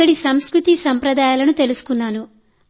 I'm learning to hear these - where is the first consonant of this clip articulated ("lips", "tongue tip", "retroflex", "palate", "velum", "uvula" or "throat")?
retroflex